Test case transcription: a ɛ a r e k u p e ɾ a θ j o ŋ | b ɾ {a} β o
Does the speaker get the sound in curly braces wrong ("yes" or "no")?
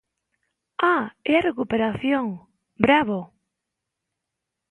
no